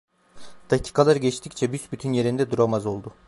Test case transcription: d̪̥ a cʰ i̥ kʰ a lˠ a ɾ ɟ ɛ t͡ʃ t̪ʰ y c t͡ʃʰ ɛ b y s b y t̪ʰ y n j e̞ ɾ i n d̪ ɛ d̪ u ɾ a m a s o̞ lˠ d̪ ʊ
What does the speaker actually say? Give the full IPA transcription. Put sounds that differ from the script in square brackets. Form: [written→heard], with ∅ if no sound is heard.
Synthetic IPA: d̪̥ a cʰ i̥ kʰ a lˠ a ɾ ɟ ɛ t͡ʃ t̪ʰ [y→i] c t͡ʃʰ ɛ b y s b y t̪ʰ y n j e̞ ɾ i n d̪ ɛ d̪ u ɾ a m a [s→z] o̞ lˠ d̪ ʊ